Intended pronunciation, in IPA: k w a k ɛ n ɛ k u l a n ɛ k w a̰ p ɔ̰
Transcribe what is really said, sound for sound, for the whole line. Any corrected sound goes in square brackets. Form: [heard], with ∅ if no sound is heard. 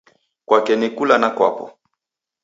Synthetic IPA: k w a k ɛ n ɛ k u l a n [a] k w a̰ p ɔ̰